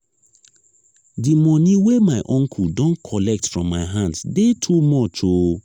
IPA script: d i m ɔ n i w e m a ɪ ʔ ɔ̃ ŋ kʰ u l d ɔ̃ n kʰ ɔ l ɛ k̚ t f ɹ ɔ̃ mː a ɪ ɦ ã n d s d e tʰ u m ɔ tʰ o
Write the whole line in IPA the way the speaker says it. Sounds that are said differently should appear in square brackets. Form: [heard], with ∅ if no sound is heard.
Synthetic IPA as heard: d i m ɔ n i w e m a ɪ ʔ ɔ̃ ŋ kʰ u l d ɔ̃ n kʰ ɔ l ɛ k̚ t f ɹ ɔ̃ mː a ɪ ɦ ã n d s d e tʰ u m ɔ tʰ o